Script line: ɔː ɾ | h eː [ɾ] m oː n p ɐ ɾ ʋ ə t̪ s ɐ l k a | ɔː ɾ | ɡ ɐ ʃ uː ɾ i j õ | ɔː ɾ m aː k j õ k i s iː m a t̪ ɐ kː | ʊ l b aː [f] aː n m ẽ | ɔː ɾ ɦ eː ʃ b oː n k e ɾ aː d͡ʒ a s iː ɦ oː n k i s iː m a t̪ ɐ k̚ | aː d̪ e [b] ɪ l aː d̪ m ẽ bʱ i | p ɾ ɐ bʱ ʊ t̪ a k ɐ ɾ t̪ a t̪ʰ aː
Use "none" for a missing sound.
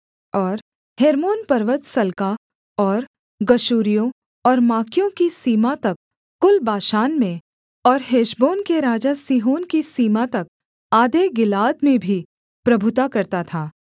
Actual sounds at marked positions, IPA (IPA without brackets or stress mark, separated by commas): ɾ, ʃ, ɡ